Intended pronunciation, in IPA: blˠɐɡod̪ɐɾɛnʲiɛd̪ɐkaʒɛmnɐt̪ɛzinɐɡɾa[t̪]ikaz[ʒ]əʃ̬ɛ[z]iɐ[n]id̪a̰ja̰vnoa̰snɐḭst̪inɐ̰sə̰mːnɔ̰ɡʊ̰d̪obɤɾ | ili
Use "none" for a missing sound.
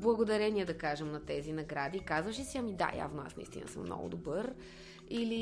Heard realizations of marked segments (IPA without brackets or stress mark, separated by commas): d̪, v, s, m